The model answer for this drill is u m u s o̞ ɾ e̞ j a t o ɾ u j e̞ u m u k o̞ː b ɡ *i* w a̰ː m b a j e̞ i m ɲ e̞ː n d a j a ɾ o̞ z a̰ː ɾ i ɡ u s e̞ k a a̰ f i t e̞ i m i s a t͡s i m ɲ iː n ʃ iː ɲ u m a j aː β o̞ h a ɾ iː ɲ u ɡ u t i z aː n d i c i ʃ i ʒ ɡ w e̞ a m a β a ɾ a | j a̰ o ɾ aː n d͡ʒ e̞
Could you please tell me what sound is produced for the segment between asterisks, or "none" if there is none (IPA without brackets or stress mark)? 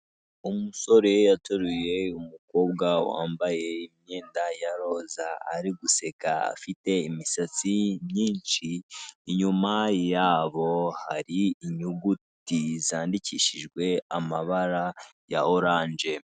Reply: a